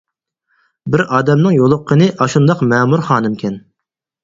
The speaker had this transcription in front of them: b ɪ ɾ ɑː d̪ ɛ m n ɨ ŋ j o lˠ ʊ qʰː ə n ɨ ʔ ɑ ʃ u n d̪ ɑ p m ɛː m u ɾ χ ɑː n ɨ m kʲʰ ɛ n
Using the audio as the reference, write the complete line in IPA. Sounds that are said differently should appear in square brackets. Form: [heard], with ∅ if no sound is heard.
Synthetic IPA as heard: b ɪ ɾ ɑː d̪ ɛ m n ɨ ŋ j o lˠ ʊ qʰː ə n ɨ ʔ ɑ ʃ u n d̪ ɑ [q] m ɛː m u ɾ χ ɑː n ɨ m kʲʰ ɛ n

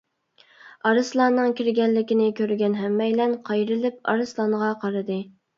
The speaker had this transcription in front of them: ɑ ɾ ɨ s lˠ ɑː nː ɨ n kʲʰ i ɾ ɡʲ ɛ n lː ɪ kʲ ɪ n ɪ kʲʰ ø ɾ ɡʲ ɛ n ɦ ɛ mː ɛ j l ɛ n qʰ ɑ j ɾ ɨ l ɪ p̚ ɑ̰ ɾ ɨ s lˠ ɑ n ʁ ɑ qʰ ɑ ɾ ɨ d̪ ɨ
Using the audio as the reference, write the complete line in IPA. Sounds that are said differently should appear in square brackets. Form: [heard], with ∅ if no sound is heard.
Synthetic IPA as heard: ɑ ɾ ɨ s lˠ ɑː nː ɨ [ŋ] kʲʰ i ɾ ɡʲ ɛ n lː ɪ kʲ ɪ n ɪ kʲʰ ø ɾ ɡʲ ɛ n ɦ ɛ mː ɛ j l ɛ n qʰ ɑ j ɾ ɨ l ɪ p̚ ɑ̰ ɾ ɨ s lˠ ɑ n ʁ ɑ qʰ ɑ ɾ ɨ d̪ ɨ

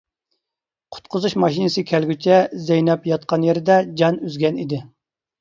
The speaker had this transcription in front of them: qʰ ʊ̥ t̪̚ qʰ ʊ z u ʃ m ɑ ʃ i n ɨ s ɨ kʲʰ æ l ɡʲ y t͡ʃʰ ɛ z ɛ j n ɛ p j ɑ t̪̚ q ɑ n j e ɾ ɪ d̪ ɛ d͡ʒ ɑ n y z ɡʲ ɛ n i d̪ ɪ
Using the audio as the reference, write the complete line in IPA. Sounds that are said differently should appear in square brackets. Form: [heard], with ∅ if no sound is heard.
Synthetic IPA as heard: qʰ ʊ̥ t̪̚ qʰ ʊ z u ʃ m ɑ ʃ i n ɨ s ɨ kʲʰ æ l ɡʲ y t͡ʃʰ ɛ z ɛ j n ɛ p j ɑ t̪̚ q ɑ n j e ɾ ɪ d̪ ɛ d͡ʒ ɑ n y z ɡʲ ɛ n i d̪ ɪ

